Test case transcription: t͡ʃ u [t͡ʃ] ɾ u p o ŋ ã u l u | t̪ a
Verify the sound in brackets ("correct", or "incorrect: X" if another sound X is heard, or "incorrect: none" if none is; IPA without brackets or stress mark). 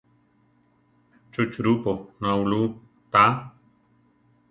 correct